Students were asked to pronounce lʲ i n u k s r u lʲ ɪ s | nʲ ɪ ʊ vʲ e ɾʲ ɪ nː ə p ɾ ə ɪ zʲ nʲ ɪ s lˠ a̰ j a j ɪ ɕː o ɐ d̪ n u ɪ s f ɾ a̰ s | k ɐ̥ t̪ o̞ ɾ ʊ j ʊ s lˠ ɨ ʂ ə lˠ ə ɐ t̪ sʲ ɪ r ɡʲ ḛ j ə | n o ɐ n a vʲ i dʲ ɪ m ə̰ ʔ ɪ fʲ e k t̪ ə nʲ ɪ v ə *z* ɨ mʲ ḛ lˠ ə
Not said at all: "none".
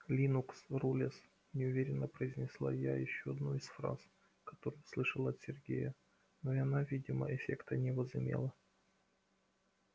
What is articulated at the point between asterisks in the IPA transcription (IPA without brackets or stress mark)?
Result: z